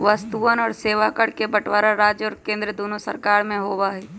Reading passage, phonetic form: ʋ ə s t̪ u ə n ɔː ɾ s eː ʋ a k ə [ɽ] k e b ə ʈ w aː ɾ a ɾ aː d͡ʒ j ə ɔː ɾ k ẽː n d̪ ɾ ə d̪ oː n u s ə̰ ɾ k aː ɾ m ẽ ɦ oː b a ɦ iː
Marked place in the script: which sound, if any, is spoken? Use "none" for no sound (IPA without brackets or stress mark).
ɽ